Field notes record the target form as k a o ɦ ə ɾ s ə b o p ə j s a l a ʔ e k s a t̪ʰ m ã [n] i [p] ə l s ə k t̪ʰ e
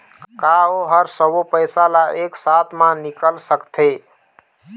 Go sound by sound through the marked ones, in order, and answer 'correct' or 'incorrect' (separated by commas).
correct, incorrect